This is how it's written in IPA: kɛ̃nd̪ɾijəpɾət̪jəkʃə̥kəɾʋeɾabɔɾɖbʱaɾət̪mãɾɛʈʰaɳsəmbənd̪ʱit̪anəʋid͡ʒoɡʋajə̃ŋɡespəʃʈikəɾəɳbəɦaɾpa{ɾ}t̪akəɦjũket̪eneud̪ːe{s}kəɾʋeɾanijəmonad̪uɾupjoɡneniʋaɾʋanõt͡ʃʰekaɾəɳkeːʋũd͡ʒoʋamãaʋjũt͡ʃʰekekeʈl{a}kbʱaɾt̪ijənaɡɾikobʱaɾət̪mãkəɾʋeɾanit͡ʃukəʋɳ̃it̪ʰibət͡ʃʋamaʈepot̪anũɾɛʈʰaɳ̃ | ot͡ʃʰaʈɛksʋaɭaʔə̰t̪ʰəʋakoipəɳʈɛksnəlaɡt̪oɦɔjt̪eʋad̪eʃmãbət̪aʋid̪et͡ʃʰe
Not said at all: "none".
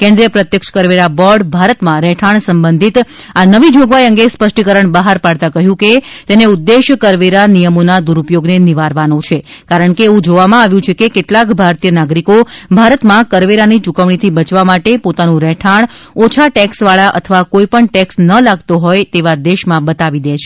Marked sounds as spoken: ɽ, ʃ, a

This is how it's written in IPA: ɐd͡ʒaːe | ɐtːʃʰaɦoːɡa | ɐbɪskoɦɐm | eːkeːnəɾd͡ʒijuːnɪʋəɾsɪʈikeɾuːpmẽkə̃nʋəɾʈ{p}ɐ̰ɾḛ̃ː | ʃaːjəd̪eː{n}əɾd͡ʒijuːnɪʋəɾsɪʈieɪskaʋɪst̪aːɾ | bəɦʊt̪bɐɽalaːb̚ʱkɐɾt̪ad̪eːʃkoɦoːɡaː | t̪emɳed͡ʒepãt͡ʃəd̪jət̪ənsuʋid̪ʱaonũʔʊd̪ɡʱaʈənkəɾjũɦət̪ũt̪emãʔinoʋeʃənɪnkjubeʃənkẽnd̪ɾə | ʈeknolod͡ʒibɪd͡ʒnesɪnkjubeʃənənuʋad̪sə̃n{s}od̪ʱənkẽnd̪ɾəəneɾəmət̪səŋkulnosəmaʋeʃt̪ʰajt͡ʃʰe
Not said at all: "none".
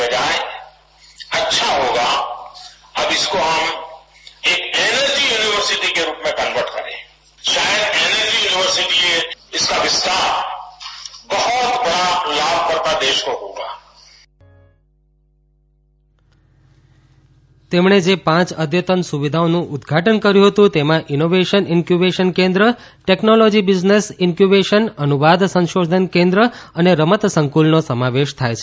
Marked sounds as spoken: k, n, ʃ

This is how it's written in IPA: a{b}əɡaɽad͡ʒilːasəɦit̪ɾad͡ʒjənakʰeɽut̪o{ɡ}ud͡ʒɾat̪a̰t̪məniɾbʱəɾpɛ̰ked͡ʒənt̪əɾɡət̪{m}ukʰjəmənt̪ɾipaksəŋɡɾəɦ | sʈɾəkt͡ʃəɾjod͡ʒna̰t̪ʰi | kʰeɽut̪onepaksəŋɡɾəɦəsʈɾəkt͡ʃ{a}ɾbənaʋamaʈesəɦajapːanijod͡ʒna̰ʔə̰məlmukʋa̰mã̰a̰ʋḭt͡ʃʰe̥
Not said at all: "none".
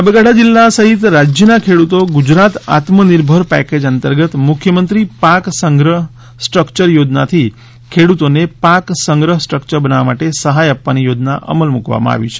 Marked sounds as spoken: b, ɡ, m, ə

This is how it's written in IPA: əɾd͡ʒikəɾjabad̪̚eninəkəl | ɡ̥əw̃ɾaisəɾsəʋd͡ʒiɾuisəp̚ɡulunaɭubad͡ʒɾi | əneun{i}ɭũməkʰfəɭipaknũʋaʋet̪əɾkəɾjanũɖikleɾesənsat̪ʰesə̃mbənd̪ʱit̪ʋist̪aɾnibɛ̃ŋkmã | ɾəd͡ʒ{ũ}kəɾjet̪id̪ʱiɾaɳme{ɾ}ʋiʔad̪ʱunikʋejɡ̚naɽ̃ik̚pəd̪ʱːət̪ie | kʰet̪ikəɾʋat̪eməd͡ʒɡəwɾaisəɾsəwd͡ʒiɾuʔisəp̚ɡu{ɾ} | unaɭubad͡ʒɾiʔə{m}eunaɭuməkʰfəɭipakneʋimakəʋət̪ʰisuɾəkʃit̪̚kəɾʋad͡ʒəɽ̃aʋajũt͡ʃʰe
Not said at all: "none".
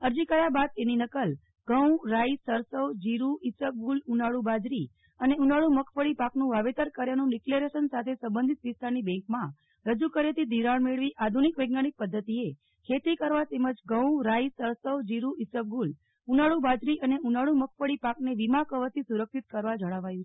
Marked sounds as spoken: a, u, ɭ, l, n

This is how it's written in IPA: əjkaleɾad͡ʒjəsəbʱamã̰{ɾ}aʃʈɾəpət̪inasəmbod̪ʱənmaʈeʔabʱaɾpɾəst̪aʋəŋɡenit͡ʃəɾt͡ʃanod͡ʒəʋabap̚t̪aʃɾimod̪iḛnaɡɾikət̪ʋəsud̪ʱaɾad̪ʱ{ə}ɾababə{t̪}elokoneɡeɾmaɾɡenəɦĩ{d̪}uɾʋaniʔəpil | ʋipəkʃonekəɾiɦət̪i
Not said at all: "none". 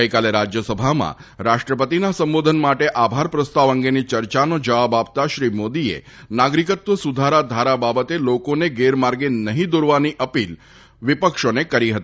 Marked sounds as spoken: ɾ, a, t̪, d̪

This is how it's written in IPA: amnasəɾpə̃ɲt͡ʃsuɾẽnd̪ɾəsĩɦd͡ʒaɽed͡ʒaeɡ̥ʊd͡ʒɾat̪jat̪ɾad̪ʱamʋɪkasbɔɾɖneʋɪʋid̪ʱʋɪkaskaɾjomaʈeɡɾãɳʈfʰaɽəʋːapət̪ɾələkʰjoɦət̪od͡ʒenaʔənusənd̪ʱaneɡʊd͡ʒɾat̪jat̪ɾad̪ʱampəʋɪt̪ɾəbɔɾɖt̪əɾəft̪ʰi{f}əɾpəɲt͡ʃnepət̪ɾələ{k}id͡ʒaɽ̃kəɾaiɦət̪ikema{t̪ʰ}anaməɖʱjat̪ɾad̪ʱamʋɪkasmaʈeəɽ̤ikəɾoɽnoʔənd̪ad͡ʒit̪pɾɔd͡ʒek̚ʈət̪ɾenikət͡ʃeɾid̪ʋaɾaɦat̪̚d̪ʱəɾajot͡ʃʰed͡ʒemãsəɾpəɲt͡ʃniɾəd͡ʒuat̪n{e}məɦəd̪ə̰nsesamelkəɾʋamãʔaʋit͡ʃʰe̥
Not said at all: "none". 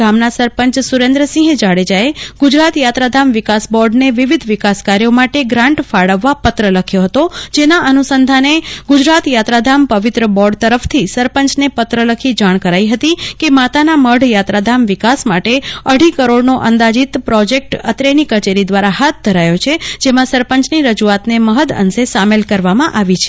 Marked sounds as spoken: s, kʰ, t̪, e

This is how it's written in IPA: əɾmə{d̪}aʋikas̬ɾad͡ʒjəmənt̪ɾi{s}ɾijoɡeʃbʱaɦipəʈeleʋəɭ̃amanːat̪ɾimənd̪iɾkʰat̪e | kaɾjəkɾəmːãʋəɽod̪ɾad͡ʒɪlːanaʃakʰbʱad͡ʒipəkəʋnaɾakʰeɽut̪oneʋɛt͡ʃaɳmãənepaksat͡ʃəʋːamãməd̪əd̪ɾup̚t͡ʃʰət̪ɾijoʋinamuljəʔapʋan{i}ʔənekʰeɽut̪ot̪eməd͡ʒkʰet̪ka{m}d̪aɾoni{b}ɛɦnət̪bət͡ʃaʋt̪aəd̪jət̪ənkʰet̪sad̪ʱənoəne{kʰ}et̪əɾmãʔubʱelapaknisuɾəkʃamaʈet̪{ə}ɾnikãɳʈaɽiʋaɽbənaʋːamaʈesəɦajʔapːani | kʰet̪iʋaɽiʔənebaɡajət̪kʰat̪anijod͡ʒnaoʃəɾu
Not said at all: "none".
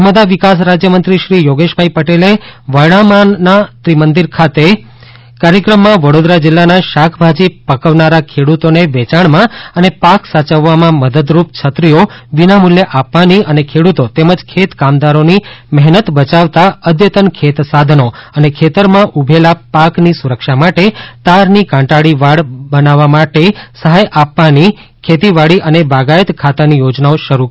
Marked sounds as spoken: d̪, ʃ, i, m, m, kʰ, a

